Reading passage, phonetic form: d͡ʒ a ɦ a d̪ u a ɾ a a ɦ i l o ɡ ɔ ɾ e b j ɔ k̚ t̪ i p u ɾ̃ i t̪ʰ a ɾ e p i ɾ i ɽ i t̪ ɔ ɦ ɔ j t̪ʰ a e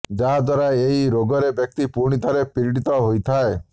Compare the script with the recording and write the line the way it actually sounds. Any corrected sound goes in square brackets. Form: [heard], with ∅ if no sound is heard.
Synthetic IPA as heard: d͡ʒ a ɦ a d̪ [w] a ɾ a [e] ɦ i [ɾ] o ɡ ɔ ɾ e b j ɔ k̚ t̪ i p u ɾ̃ i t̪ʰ a ɾ e p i ɾ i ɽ i t̪ ɔ ɦ [o] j t̪ʰ a e